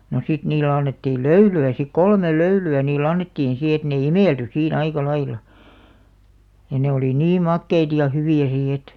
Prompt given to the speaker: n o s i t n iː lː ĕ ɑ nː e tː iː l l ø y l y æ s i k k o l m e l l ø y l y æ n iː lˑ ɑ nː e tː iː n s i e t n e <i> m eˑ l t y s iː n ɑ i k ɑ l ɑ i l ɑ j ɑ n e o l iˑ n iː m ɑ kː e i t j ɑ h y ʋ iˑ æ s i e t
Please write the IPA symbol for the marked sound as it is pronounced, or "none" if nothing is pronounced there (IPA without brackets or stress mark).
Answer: i